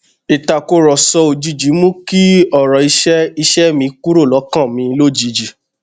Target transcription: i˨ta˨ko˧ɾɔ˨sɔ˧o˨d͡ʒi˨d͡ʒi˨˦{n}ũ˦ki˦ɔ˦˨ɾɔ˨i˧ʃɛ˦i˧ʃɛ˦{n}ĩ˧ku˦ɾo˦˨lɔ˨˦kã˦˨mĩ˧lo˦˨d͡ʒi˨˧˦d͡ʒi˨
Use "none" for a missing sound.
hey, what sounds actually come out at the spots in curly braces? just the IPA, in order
m, m

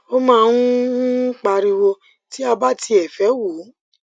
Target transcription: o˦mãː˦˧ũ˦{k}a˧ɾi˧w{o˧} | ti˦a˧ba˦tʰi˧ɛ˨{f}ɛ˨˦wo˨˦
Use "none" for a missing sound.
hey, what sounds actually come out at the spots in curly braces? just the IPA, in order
k͡p, o˧, f

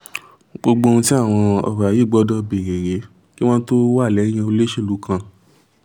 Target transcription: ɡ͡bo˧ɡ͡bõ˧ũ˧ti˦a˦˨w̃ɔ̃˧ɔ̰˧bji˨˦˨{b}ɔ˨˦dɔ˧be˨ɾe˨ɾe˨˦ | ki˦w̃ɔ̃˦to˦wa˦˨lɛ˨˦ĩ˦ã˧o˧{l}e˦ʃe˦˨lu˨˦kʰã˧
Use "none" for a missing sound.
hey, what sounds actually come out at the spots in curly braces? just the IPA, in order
ɡ͡b, l

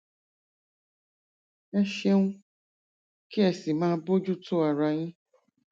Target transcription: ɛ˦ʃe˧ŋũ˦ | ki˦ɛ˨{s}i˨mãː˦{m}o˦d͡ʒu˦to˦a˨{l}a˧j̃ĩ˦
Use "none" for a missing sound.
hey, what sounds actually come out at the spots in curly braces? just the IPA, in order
s, b, ɾ

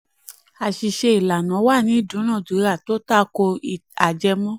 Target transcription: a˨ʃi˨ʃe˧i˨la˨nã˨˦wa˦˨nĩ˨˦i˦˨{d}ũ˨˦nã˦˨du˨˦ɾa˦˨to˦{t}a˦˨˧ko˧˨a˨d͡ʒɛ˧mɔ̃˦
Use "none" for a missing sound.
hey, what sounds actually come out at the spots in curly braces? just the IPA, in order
d, t

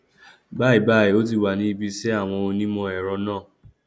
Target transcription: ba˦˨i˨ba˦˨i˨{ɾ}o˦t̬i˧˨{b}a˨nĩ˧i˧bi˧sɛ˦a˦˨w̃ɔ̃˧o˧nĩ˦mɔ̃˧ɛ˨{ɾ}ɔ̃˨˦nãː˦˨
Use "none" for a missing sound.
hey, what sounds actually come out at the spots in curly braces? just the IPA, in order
none, w, ɾ

